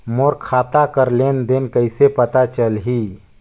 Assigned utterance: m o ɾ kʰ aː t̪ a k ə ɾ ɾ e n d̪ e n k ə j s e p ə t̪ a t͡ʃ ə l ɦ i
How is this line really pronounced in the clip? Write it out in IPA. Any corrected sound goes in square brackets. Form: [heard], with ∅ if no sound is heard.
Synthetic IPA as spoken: m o ɾ kʰ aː t̪ a k ə ɾ [l] e n d̪ e n k ə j s e p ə t̪ a t͡ʃ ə l ɦ i